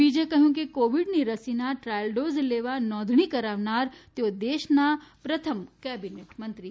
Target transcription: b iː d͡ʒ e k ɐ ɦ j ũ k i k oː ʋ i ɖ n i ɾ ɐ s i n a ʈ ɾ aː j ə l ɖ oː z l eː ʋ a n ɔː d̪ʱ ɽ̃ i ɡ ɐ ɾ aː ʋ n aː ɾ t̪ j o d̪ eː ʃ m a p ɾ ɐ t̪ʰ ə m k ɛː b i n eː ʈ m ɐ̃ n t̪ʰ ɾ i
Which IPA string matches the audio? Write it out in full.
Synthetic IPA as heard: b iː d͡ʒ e k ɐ ɦ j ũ k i k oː ʋ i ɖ n i ɾ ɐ s i n a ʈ ɾ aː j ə l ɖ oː z l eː ʋ a n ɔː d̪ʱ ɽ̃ i k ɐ ɾ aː ʋ n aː ɾ t̪ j o d̪ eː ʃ n a p ɾ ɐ t̪ʰ ə m k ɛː b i n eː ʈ m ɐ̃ n t̪ ɾ i